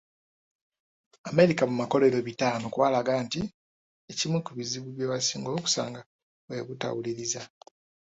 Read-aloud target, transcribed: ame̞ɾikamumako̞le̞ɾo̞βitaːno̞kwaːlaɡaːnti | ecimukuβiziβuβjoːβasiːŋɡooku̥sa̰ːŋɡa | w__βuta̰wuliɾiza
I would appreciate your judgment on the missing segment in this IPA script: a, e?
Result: e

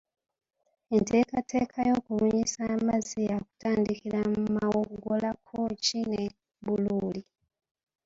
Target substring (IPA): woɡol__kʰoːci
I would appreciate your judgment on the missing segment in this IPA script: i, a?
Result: a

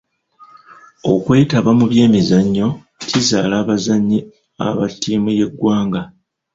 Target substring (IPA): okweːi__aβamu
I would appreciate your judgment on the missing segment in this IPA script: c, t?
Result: t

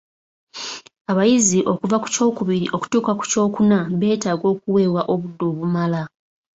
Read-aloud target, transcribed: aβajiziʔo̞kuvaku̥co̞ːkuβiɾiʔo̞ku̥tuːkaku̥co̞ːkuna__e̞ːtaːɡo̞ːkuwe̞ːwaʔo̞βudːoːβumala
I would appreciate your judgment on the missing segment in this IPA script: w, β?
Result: β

